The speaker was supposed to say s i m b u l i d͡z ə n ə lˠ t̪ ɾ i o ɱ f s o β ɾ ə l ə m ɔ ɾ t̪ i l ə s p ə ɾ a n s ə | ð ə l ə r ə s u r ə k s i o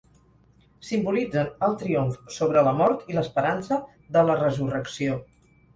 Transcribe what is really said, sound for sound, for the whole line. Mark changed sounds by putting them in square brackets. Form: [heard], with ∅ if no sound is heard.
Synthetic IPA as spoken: s i m b u l i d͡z ə n ə lˠ t̪ ɾ i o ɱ f s o β ɾ ə l ə m ɔ ɾ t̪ i l ə s p ə ɾ a n s ə | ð ə l ə r ə [z] u r ə k s i o